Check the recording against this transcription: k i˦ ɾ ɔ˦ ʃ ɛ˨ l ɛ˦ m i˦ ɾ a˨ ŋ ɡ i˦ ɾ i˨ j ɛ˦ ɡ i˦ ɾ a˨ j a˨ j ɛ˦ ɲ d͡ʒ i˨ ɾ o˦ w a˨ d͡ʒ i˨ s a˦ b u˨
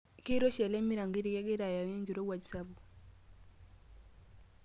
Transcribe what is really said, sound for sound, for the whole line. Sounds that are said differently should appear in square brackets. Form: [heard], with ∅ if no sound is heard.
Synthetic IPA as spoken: k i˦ ɾ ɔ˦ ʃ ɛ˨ l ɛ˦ m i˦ ɾ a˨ ŋ ɡ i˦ ɾ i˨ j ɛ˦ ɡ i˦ ɾ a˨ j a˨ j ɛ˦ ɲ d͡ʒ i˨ ɾ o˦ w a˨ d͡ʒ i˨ s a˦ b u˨